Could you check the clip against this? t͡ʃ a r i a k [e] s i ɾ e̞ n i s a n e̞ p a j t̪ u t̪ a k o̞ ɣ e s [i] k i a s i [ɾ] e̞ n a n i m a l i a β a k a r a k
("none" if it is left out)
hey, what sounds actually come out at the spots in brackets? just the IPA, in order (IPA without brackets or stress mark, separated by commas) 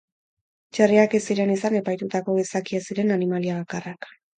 e, a, ɾ